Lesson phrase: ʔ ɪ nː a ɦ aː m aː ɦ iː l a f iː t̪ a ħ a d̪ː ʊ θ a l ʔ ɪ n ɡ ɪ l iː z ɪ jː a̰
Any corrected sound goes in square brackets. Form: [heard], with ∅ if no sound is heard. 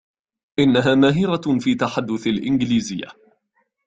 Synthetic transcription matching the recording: ʔ ɪ nː a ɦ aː m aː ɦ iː [ɾ] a f iː t̪ a ħ a d̪ː ʊ θ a l ʔ ɪ n ɡ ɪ l iː z ɪ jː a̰